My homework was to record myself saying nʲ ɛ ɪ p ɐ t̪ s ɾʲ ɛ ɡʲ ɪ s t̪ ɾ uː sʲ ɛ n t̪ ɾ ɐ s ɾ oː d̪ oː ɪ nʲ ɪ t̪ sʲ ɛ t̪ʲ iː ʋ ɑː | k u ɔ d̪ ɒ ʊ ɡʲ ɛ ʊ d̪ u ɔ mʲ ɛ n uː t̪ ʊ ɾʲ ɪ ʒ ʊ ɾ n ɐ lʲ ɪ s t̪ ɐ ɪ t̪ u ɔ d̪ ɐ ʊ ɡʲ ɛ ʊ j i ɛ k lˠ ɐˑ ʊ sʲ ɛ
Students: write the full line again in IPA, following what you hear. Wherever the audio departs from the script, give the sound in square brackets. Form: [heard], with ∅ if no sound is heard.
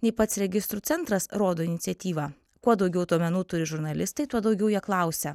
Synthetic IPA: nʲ ɛ ɪ p ɐ t̪ s ɾʲ ɛ ɡʲ ɪ s t̪ ɾ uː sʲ ɛ n t̪ ɾ ɐ s ɾ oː d̪ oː ɪ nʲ ɪ t̪ sʲ ɛ t̪ʲ iː ʋ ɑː | k u ɔ d̪ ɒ ʊ ɡʲ ɛ ʊ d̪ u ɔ mʲ ɛ n uː t̪ ʊ ɾʲ ɪ ʒ ʊ ɾ n ɐ lʲ ɪ s t̪ ɐ ɪ t̪ u ɔ d̪ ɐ ʊ ɡʲ ɛ ʊ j i ɛ k lˠ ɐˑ ʊ sʲ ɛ